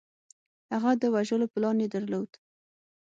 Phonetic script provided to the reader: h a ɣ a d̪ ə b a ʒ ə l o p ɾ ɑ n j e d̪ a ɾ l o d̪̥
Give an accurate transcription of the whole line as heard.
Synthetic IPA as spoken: h a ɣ a d̪ ə w a ʒ ə l o p l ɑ n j e d̪ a ɾ l o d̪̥